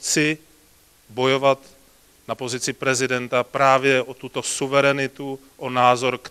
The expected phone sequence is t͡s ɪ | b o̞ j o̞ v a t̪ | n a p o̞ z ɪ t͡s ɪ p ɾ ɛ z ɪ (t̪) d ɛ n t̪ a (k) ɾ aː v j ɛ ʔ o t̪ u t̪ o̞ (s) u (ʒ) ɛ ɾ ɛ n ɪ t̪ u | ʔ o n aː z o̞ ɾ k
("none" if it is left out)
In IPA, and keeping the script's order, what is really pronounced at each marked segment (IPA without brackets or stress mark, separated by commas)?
none, p, s, v